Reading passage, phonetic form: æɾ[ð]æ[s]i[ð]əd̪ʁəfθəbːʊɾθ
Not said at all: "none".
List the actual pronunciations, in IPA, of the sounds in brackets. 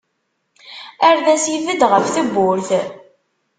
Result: ð, s, v

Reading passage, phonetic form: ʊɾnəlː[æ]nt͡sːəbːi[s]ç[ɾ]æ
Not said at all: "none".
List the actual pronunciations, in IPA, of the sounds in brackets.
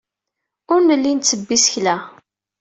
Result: i, s, l

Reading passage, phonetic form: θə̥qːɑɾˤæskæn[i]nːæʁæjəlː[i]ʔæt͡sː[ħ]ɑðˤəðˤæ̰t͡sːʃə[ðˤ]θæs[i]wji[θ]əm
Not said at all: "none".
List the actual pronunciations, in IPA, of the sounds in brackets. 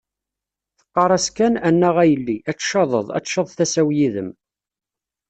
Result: æ, i, ʃ, ðˤ, æ, ð

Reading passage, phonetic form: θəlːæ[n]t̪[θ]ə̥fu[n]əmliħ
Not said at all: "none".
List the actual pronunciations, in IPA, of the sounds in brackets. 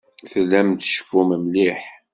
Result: m, ʃ, m

